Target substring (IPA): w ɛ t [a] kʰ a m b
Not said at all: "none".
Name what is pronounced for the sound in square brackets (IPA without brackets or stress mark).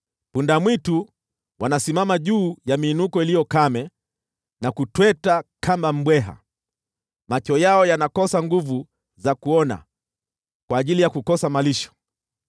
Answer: a